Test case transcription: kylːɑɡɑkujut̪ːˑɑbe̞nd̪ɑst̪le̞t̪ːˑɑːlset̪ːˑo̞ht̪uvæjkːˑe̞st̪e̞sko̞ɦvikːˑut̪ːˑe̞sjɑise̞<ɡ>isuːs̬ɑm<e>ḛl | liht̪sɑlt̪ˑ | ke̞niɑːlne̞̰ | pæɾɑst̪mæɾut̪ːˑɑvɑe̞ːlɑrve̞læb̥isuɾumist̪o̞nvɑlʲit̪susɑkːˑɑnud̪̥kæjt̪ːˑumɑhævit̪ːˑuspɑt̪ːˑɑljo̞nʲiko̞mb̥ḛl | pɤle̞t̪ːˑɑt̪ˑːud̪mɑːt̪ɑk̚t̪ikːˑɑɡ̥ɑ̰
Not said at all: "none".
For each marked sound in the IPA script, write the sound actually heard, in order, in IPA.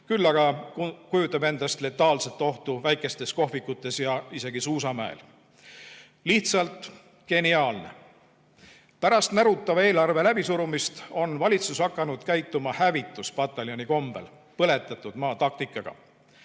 ɡ, æ

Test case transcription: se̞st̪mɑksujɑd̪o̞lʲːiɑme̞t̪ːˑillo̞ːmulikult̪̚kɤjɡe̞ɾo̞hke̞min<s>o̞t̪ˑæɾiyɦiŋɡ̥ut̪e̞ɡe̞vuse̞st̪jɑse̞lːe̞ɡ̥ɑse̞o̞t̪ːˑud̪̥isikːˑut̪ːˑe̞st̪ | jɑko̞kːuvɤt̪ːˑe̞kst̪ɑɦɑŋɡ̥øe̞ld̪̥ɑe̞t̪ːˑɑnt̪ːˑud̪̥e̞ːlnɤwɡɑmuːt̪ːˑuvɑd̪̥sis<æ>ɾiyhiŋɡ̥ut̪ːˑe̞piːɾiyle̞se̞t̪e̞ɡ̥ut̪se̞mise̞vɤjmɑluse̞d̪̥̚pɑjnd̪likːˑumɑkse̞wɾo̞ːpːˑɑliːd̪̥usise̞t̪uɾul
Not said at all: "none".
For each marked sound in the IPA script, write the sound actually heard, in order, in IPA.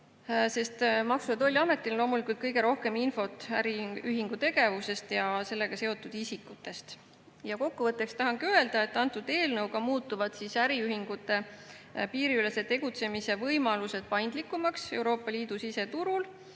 f, æ

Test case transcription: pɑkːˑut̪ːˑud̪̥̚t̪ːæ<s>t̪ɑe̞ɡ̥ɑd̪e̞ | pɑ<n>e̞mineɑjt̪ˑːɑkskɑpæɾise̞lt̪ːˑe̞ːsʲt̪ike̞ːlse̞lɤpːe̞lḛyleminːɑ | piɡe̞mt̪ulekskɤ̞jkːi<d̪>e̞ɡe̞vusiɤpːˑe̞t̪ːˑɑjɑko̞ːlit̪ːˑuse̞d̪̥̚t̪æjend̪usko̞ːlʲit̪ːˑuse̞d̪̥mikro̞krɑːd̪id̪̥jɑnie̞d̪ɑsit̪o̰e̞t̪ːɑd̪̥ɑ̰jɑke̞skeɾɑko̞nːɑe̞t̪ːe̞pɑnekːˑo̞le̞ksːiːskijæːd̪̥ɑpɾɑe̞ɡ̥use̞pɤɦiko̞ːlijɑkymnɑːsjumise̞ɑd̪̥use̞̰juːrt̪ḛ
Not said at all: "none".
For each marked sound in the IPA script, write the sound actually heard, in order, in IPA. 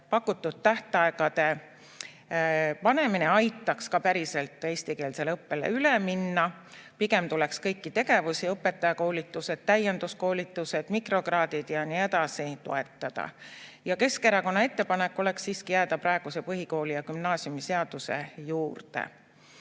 h, n, t̪

